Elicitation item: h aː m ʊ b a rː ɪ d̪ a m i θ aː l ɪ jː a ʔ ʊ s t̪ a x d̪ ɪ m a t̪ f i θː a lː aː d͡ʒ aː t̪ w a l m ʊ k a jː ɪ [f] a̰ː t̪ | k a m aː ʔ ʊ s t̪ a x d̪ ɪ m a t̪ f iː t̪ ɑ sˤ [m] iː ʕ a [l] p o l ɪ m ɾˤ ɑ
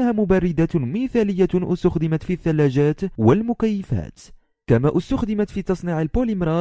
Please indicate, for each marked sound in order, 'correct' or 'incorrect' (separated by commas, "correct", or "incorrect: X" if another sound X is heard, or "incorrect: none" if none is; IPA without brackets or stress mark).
correct, incorrect: n, correct